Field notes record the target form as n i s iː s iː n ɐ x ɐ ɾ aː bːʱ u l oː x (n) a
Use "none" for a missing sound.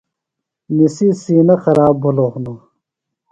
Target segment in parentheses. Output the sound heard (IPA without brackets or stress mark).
n